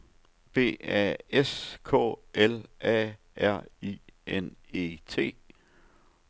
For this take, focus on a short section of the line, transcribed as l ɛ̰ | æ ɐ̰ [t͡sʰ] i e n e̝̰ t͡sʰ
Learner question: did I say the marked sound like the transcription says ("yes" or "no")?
no